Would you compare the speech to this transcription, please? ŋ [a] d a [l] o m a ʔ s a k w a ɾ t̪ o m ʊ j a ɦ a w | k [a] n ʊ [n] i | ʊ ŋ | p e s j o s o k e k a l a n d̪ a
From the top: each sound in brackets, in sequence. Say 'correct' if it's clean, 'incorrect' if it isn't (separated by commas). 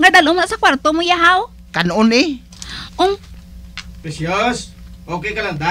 correct, correct, correct, correct